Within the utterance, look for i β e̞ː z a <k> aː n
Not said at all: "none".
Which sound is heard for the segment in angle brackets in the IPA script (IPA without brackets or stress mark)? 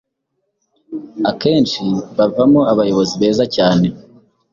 c